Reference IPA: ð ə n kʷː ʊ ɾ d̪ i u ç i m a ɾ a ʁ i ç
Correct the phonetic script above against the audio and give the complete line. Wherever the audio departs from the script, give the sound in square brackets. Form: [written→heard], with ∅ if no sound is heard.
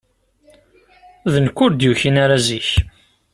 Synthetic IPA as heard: ð ə n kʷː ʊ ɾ d̪ [i→j] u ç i [m→n] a ɾ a [ʁ→z] i ç